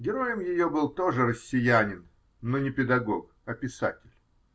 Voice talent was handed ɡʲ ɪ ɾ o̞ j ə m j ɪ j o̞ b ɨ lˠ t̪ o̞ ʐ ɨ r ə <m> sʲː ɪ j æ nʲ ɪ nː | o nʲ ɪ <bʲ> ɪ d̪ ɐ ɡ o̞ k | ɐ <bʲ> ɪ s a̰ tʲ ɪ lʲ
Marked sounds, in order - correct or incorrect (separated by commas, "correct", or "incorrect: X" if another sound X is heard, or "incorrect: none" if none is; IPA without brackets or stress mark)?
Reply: incorrect: none, incorrect: pʲ, incorrect: pʲ